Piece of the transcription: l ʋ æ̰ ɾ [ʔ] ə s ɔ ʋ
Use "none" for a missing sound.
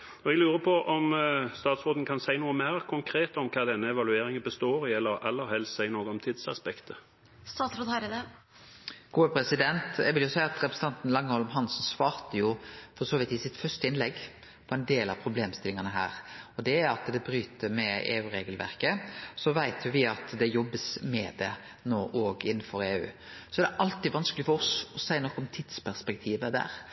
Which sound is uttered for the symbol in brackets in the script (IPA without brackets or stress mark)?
k